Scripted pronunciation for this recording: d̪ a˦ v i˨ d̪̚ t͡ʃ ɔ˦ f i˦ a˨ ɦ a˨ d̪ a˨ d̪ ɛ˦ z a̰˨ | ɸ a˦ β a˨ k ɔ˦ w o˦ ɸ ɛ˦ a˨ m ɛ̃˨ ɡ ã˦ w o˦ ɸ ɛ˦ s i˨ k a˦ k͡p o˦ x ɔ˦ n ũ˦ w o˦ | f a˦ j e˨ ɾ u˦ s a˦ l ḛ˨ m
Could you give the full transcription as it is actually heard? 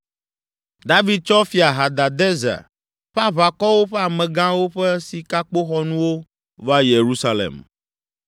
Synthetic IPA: d̪ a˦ v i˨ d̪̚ t͡ʃ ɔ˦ f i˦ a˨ ɦ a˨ d̪ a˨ d̪ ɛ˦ z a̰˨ | ɸ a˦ β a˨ k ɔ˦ w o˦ ɸ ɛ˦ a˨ m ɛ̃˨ ɡ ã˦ w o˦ ɸ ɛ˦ s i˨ k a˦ k͡p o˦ x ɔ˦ n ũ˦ w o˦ | v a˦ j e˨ ɾ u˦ s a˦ l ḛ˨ m